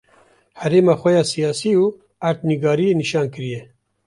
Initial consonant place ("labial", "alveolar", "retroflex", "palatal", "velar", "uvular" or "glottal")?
glottal